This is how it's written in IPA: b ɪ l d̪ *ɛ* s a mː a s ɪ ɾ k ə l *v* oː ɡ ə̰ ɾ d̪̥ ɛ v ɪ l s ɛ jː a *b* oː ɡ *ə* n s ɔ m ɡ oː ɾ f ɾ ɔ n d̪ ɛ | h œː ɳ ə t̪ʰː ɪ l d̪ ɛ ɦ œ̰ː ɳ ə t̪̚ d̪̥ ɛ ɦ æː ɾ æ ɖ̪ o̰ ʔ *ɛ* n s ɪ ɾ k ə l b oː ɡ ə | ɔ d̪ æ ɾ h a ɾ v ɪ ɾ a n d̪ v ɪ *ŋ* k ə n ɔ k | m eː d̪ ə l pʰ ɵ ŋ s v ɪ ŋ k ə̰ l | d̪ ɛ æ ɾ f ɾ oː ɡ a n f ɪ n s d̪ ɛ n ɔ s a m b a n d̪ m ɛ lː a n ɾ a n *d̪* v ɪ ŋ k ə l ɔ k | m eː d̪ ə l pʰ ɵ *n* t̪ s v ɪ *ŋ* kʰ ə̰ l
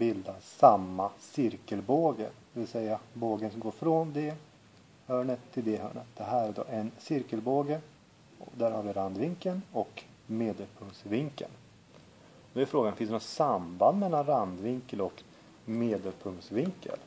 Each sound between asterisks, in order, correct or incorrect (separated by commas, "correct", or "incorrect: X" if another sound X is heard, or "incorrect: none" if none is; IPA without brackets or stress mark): incorrect: a, incorrect: b, correct, correct, correct, correct, correct, incorrect: ŋ, correct